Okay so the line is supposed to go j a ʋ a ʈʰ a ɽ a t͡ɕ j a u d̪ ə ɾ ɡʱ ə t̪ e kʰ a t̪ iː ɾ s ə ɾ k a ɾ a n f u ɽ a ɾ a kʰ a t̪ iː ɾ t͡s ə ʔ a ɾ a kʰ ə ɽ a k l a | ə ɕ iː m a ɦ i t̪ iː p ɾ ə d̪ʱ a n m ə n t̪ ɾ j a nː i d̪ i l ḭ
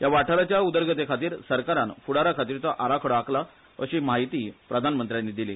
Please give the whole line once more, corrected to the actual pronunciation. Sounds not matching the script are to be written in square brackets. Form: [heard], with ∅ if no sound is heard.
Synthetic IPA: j a ʋ a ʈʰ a [ɾ] a t͡ɕ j a u d̪ ə ɾ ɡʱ ə t̪ e kʰ a t̪ iː ɾ s ə ɾ k a ɾ a n f u ɽ a ɾ a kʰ a t̪ iː ɾ t͡s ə ʔ a ɾ a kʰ ə ɽ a k l a | ə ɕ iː m a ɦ i t̪ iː p ɾ ə d̪ʱ a n m ə n t̪ ɾ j a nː i d̪ i l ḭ

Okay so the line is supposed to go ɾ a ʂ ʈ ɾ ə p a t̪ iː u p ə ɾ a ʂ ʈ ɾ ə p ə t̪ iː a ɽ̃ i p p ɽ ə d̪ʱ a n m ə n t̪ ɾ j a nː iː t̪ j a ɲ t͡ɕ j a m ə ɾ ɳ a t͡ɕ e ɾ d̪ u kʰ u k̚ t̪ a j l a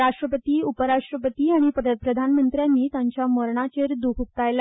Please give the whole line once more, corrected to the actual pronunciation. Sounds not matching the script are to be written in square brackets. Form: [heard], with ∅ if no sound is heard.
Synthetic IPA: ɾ a ʂ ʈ ɾ ə p [ə] t̪ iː u p ə ɾ a ʂ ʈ ɾ ə p ə t̪ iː a ɽ̃ i p p [ɾ] ə d̪ʱ a n m ə n t̪ ɾ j a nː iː t̪ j a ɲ t͡ɕ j a m ə ɾ ɳ a t͡ɕ e ɾ d̪ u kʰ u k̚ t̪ a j l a

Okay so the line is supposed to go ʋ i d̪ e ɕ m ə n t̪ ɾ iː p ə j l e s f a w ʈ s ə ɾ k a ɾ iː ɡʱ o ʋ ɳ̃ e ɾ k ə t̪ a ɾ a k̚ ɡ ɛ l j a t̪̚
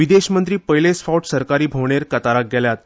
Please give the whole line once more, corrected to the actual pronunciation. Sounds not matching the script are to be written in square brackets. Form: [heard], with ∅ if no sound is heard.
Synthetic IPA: ʋ i d̪ e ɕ m ə n t̪ ɾ iː p ə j l e s f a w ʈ s ə ɾ k a ɾ iː [bʱ] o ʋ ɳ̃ e ɾ k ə t̪ a ɾ a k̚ ɡ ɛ l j a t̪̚

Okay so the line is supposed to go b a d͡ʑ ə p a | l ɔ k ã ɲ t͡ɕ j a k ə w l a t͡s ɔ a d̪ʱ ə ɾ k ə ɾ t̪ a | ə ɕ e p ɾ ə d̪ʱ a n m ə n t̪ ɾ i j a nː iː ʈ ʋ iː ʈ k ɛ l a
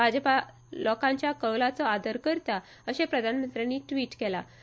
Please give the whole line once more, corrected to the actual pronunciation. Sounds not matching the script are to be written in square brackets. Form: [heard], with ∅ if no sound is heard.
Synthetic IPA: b a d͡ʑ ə p a | l ɔ k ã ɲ t͡ɕ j a k ə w l a t͡s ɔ a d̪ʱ ə ɾ k ə ɾ t̪ a | ə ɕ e p ɾ ə d̪ʱ a n m ə n t̪ ɾ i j a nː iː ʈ ʋ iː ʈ k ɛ l a

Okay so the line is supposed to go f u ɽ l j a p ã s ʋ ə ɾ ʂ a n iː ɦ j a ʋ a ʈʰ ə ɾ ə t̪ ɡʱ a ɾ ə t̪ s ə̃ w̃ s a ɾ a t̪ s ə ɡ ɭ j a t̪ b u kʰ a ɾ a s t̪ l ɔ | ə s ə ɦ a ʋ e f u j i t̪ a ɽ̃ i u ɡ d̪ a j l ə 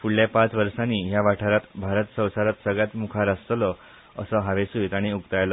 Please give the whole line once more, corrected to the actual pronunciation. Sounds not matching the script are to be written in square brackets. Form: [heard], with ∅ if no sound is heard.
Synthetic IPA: f u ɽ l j a p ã [t͡s] ʋ ə ɾ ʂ a n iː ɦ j a ʋ a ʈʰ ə ɾ [a] t̪ [bʱ] a ɾ ə t̪ s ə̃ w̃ s a ɾ a t̪ s ə ɡ ɭ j a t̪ [m] u kʰ a ɾ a s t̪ l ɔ | ə s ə ɦ a ʋ e [s] u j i t̪ a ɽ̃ i u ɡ [t̪] a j l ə

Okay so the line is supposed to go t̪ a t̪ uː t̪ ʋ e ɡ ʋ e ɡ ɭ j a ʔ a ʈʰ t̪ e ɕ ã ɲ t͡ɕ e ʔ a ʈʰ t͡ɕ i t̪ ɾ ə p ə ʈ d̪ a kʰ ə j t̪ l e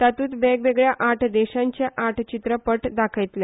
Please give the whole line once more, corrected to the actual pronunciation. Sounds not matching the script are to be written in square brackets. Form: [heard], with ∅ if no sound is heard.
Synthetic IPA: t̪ a t̪ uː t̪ ʋ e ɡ ʋ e ɡ ɭ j a ʔ a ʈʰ [d̪] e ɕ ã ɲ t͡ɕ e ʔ a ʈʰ t͡ɕ i t̪ ɾ ə p ə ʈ d̪ a kʰ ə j t̪ l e

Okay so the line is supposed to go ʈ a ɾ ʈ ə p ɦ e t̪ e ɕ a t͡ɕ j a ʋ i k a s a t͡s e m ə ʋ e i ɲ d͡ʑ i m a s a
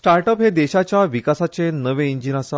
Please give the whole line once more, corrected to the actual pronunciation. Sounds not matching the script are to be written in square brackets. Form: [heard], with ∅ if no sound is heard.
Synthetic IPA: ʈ a ɾ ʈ ə p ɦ e [d̪] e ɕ a t͡ɕ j a ʋ i k a s a t͡s e [n] ə ʋ e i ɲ d͡ʑ i [n] a s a

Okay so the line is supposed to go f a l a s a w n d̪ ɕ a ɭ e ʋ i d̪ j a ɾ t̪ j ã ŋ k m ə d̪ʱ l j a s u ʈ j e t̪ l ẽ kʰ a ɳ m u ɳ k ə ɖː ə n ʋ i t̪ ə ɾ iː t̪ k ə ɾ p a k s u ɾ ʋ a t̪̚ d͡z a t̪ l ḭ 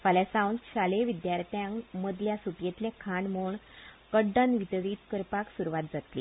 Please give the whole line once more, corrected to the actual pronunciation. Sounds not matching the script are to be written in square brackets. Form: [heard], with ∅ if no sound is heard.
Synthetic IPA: f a l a s a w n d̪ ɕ a [l] e ʋ i d̪ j a ɾ t̪ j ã ŋ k m ə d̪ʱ l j a s u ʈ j e t̪ l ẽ kʰ a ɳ m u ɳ k ə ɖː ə n ʋ i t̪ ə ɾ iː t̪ k ə ɾ p a k s u ɾ ʋ a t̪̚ d͡z a t̪ l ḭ

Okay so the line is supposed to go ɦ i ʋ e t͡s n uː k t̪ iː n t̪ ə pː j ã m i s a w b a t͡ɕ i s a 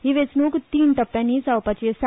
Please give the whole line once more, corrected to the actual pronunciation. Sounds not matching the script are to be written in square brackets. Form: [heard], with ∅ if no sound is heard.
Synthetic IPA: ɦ i ʋ e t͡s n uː k t̪ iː n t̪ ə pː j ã [n] i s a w [p] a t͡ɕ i s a

